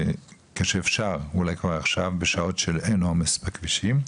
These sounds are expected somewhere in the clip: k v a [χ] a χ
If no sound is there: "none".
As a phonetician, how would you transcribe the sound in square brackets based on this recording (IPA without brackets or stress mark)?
ʁ